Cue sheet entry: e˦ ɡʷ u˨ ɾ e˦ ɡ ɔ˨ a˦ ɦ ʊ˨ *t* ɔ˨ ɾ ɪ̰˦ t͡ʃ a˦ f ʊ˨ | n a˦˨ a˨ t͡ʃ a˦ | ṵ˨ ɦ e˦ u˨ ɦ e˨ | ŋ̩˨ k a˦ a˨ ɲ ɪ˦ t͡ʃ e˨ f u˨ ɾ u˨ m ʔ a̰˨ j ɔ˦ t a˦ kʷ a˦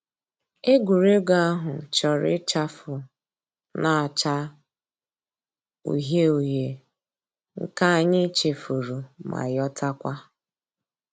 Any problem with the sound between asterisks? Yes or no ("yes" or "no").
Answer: yes